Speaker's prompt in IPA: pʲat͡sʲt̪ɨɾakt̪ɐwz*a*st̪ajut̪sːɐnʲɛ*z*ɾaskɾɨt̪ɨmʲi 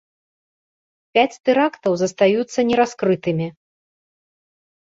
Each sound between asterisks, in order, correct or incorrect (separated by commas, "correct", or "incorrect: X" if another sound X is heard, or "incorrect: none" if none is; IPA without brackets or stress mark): incorrect: ɐ, incorrect: none